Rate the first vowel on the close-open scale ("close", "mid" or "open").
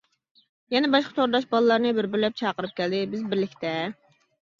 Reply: mid